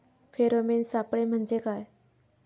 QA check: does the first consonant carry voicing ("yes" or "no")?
no